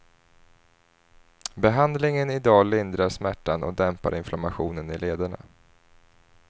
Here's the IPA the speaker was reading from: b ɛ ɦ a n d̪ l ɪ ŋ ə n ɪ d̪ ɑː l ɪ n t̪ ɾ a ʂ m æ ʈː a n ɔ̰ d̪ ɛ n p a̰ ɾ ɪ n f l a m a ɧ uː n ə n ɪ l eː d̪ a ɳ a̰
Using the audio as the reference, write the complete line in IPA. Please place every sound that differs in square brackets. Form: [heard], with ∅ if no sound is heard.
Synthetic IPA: b ɛ ɦ a n d̪ l ɪ ŋ ə n ɪ d̪ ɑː l ɪ n [d̪] ɾ a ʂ m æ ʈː a n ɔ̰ d̪ ɛ [m] p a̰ ɾ ɪ n f l a m a ɧ uː n ə n ɪ l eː d̪ a ɳ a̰